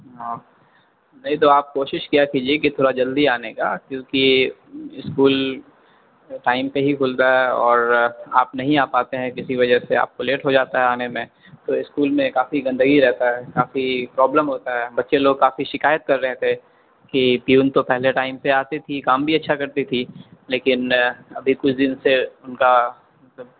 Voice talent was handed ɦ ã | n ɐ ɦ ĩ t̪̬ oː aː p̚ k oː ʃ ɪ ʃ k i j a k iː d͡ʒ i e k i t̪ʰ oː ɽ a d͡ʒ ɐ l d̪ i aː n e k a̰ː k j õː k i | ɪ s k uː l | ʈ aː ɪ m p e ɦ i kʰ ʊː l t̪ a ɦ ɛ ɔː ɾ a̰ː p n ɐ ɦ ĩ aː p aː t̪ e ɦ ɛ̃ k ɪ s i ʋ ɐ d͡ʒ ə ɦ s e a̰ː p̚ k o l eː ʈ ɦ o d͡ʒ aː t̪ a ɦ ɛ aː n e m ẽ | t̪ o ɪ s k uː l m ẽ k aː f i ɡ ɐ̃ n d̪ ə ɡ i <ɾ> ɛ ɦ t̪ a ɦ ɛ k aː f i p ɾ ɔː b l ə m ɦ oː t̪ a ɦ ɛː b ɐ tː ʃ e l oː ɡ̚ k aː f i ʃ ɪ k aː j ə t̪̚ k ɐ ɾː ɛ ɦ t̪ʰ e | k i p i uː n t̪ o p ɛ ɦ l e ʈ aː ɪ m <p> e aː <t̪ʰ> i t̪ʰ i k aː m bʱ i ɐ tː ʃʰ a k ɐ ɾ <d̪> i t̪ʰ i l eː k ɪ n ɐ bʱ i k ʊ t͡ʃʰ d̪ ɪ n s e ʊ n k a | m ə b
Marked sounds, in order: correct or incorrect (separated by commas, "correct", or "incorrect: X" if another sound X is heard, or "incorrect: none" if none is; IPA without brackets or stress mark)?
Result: correct, correct, incorrect: t̪, incorrect: t̪